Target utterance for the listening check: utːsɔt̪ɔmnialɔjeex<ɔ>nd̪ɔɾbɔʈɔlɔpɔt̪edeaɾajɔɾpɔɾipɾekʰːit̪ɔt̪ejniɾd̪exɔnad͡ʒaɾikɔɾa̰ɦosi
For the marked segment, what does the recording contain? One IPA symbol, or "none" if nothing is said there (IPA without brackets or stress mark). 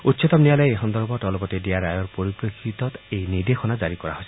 ɔ